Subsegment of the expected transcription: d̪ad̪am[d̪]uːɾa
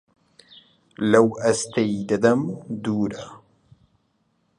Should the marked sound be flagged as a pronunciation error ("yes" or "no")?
no